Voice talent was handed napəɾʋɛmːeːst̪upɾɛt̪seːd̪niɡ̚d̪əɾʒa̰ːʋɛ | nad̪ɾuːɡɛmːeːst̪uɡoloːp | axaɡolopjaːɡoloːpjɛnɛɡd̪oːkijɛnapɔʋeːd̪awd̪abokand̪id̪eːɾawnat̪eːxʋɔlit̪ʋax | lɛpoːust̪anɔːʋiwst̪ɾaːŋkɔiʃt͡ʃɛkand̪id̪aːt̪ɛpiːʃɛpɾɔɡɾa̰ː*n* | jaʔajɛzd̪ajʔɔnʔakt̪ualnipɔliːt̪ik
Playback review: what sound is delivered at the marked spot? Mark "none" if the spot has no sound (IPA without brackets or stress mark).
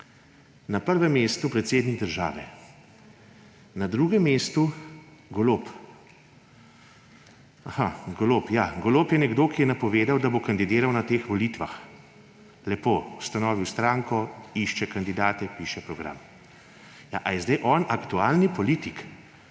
m